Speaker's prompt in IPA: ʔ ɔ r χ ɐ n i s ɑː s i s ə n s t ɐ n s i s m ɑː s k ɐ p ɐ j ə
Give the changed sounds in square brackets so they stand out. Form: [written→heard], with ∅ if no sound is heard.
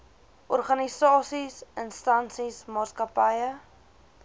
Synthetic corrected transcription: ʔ ɔ r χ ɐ n i s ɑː s i s ə n s t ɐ n s i s m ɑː s k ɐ p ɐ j ə